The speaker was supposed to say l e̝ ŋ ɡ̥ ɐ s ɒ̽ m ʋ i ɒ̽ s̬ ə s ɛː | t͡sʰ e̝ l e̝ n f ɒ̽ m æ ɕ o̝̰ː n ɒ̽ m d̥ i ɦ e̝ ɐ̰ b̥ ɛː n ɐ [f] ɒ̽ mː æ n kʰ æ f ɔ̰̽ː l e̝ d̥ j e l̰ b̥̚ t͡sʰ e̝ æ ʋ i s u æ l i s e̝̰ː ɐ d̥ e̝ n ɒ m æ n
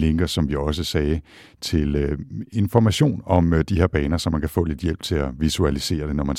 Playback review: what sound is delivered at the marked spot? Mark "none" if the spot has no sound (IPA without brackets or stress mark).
s